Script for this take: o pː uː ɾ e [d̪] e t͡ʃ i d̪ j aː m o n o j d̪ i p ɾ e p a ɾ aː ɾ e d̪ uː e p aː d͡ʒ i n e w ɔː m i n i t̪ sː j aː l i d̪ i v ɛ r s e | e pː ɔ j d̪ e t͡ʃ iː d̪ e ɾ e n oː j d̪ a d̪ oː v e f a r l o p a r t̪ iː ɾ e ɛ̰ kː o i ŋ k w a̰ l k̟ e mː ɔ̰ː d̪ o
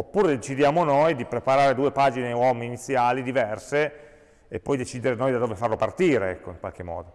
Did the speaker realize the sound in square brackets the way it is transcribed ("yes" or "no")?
yes